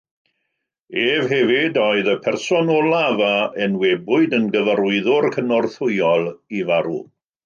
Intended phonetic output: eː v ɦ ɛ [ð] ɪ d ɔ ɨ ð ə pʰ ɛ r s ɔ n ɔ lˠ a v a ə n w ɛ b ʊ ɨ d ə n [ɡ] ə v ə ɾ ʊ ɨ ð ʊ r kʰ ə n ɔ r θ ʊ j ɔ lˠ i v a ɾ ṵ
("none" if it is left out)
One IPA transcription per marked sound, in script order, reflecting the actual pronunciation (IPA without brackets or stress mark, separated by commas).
v, ɡ